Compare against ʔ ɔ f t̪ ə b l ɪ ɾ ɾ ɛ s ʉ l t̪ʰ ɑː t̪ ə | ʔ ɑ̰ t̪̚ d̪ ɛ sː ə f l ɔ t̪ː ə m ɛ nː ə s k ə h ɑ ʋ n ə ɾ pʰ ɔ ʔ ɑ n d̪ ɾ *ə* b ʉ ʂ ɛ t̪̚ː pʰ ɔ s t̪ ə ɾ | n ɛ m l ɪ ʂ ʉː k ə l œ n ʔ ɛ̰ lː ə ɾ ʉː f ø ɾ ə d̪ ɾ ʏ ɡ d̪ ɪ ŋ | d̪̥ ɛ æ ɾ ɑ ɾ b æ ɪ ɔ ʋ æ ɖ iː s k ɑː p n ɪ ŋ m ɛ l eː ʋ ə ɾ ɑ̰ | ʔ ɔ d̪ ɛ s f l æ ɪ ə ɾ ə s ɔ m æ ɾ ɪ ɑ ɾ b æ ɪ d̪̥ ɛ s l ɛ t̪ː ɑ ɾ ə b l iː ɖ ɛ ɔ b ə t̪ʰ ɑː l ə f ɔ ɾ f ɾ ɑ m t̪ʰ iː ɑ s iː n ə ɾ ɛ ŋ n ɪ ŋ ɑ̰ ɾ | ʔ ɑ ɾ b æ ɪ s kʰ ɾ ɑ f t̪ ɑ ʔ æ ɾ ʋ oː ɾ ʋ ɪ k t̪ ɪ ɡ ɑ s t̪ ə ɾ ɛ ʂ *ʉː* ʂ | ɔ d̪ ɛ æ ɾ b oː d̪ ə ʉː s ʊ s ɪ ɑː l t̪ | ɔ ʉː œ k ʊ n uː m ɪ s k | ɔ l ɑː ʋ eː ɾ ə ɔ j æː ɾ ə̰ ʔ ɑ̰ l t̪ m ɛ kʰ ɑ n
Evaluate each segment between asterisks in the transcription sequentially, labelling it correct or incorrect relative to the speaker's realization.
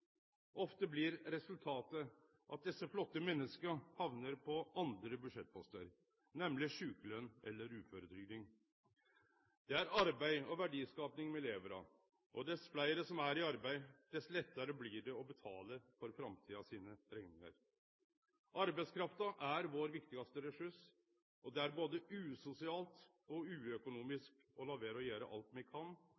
correct, incorrect: ʉ

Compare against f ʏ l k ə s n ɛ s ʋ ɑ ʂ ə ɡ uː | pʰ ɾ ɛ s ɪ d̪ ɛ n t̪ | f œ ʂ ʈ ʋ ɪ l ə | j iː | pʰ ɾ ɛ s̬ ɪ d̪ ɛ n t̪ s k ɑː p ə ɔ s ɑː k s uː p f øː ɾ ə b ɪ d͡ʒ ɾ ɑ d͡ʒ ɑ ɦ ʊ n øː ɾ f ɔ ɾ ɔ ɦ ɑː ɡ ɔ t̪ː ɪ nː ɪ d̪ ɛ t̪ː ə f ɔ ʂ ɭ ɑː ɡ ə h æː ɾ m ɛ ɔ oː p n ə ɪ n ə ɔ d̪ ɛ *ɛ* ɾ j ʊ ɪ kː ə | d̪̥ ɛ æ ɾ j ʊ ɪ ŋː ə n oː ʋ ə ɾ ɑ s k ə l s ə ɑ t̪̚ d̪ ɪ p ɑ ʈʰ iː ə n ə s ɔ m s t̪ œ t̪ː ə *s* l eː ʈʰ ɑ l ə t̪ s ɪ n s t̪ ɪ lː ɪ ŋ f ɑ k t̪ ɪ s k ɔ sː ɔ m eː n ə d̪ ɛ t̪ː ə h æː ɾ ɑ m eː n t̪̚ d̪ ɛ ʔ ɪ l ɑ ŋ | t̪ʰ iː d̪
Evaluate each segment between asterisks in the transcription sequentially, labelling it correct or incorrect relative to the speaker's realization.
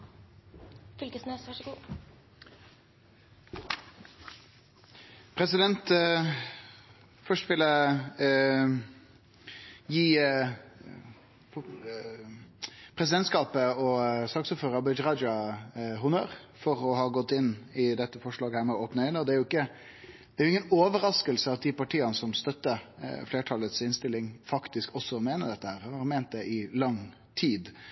incorrect: æ, incorrect: f

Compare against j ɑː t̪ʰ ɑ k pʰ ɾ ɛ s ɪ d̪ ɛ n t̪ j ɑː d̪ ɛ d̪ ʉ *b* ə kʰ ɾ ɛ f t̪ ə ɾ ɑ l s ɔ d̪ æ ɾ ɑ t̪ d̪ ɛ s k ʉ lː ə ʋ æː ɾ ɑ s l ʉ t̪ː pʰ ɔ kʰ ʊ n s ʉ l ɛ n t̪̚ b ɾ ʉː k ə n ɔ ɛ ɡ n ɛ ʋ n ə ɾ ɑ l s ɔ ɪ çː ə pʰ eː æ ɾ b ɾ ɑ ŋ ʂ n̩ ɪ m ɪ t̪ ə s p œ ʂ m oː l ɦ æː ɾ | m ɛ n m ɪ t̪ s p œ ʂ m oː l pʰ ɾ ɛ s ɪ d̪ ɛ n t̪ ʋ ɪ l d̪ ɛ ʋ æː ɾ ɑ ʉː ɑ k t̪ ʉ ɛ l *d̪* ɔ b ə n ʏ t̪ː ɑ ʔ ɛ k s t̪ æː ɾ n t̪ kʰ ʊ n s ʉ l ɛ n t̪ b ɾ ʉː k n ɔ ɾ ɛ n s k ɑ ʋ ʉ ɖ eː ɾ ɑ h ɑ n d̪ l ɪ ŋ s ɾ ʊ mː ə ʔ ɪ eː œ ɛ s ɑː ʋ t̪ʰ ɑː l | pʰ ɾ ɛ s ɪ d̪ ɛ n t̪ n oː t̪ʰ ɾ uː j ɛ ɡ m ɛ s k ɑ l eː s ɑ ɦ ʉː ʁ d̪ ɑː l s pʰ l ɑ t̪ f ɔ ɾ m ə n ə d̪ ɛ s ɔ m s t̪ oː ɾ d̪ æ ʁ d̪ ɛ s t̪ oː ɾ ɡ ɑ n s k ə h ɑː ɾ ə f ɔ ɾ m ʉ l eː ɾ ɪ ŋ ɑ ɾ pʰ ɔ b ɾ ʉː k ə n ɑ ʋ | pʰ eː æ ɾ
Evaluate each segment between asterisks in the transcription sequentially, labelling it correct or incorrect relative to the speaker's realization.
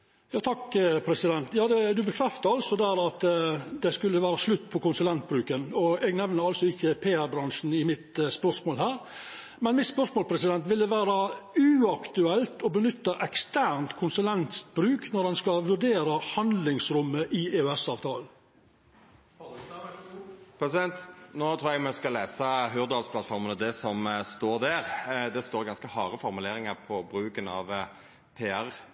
correct, incorrect: t̪

